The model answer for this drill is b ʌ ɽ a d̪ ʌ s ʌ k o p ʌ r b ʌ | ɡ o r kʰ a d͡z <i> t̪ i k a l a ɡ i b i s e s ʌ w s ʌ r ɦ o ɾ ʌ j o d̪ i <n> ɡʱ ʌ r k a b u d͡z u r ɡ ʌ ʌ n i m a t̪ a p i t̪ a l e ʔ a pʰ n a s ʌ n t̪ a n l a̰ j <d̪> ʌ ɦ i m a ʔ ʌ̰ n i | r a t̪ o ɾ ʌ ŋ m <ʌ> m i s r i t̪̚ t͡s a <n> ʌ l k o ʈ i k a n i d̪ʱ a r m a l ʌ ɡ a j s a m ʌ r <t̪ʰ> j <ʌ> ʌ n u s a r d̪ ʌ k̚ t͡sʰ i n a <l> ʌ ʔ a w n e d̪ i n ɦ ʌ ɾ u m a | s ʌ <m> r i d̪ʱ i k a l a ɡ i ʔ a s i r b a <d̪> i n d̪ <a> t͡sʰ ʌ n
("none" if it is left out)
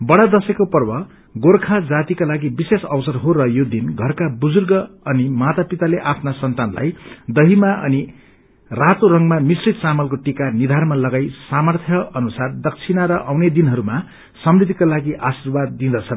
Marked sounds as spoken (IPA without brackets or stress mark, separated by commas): a, n, d̪, a, m, t̪ʰ, ʌ, ɾ, m, d̪ː, ʌ